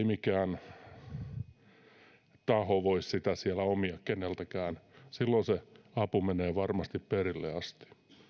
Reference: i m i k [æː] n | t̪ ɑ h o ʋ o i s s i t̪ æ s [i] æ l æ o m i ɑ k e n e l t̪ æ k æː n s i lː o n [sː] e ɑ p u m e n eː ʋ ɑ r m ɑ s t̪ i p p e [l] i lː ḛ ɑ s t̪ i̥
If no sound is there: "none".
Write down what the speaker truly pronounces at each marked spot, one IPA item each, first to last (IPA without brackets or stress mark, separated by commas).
æː, i, s, r